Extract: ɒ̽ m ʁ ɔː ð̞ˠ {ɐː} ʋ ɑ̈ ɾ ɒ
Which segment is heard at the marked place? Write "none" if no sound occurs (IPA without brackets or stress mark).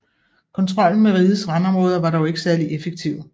ɐ